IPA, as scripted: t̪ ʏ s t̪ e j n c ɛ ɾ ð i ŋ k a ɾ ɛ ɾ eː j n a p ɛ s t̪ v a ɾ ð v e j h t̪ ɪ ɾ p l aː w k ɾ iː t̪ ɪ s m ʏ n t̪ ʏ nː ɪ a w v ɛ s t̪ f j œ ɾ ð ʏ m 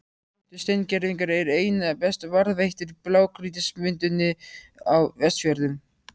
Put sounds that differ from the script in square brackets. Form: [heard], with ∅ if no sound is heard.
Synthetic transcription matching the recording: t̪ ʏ s t̪ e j n c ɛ ɾ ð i ŋ k a ɾ ɛ ɾ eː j n a p ɛ s t̪ v a ɾ ð v e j h t̪ ɪ ɾ p l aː w k ɾ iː t̪ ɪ s m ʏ n t̪ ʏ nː ɪ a w v ɛ s t̪ f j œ ɾ ð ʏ m